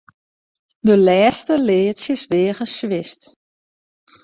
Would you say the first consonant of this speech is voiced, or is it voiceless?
voiced